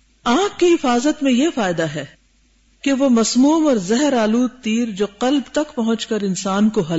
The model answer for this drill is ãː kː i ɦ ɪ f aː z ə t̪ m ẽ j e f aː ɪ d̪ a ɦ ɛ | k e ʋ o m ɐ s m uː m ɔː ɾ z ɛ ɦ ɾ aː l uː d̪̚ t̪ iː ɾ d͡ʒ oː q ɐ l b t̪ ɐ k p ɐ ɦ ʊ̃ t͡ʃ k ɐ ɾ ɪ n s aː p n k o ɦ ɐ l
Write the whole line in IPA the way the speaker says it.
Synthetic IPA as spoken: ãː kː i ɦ ɪ f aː z ə t̪ m ẽ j e f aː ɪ d̪ a ɦ ɛ | k e ʋ o m ɐ s m uː m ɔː ɾ z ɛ ɦ ɾ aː l uː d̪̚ t̪ iː ɾ d͡ʒ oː q ɐ l b t̪ ɐ k p ɐ ɦ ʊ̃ t͡ʃ k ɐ ɾ ɪ n s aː n k o ɦ ɐ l